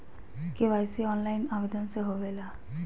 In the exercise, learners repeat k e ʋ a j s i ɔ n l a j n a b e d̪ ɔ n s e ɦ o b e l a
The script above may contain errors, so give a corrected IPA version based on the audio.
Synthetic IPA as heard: k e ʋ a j s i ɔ n l a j n a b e d̪ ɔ n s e ɦ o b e l a